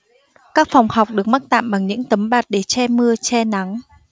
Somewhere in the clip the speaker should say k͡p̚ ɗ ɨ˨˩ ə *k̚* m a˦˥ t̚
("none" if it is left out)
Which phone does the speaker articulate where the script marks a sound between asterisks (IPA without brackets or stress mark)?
k̚